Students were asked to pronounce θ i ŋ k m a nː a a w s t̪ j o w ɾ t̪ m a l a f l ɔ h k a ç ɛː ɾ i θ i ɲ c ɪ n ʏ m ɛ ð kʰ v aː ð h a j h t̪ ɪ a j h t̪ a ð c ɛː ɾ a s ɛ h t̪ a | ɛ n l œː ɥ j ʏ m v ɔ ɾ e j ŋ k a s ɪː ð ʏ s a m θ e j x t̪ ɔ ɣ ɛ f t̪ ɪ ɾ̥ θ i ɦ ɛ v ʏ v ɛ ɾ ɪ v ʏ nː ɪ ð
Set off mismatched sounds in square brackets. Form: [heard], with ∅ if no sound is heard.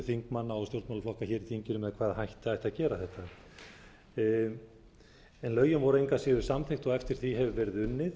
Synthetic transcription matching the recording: θ i ŋ k m a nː a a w s t̪ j o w ɾ t̪ m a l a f l ɔ h k a ç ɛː ɾ i θ i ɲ c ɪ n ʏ m ɛ ð kʰ v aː ð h a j h t̪ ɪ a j h t̪ a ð c ɛː ɾ a [θ] ɛ h t̪ a | ɛ n l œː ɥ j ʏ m v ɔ ɾ e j ŋ k a s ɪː ð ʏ s a m θ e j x t̪ ɔ ɣ ɛ f t̪ ɪ ɾ̥ θ i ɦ ɛ v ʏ v ɛ ɾ ɪ [ð] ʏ nː ɪ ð